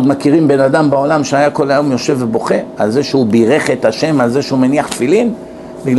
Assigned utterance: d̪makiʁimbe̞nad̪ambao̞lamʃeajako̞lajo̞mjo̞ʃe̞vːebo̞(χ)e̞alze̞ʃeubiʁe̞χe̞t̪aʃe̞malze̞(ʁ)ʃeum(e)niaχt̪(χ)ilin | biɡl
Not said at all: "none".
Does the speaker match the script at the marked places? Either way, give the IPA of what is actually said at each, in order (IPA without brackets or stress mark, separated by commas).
χ, none, e, f